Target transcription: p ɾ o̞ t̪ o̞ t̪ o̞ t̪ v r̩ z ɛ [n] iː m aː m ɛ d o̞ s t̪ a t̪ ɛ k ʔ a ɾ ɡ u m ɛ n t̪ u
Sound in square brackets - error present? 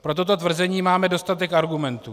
yes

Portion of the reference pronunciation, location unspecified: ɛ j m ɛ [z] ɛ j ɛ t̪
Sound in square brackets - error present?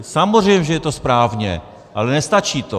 yes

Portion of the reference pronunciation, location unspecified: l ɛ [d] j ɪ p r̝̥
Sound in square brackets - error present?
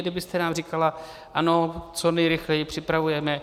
yes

